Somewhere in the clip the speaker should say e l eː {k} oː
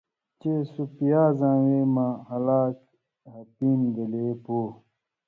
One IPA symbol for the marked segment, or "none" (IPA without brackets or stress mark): p